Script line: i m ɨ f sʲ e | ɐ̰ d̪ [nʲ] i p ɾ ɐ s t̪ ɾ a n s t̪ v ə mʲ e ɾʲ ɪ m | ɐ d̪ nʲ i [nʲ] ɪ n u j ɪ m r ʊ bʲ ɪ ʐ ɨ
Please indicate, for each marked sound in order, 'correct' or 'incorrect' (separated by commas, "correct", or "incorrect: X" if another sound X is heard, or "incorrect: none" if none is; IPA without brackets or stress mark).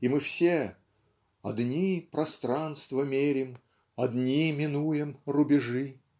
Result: correct, incorrect: mʲ